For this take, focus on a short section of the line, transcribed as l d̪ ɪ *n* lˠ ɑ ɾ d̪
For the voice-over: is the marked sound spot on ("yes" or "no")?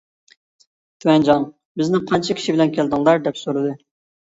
no